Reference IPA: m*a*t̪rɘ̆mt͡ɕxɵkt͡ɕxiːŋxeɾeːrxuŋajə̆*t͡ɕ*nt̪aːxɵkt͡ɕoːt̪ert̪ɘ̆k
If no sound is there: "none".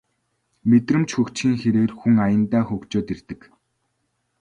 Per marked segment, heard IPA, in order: e, none

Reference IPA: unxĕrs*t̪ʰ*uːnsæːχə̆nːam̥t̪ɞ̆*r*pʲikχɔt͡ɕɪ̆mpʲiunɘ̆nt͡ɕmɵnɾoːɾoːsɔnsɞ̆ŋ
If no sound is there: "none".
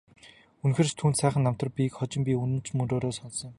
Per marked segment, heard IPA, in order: t̪ʰ, r

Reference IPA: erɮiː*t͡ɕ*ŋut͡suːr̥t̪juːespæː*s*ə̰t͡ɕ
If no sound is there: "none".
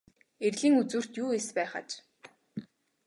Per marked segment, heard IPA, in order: none, χ

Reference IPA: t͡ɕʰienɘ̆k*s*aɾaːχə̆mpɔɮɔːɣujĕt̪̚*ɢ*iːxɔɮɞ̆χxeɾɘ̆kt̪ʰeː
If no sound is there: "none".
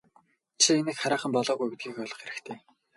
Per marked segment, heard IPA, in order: χ, ɡ

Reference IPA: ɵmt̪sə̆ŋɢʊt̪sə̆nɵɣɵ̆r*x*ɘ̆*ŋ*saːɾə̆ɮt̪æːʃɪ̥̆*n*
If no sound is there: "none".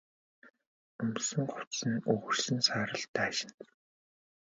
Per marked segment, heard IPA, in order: s, n, n

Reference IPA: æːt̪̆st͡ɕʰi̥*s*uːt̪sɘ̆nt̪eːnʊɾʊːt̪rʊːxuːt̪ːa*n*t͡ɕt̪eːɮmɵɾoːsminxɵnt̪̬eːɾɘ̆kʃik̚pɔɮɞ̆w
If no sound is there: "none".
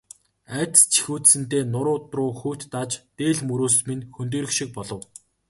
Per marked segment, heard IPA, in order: x, none

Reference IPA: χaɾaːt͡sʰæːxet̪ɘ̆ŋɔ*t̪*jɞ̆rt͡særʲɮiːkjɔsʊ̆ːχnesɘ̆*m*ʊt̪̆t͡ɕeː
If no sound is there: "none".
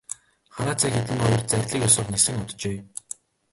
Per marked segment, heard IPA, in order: none, ŋ

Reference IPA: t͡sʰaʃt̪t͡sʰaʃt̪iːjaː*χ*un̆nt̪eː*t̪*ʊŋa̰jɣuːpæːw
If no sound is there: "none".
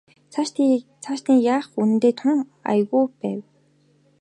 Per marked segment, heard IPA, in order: χ, t̪ʰ

